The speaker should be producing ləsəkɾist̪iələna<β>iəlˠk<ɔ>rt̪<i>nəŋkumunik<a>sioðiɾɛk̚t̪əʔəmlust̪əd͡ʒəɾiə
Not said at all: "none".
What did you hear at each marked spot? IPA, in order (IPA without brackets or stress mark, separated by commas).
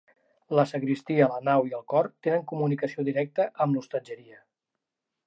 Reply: w, ɔ, e, ə